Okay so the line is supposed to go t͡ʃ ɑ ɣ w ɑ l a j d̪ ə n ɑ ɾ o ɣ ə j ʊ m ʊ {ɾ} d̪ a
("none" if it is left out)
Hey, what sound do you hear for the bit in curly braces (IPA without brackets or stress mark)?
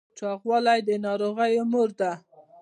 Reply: ɾ